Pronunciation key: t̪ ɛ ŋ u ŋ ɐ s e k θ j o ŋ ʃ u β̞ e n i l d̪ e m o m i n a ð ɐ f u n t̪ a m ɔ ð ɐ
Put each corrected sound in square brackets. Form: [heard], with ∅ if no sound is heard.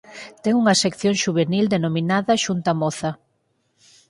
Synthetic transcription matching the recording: t̪ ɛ ŋ u ŋ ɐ s e k θ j o ŋ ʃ u β̞ e n i l d̪ e [n] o m i n a ð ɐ [ʃ] u n t̪ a m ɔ [θ] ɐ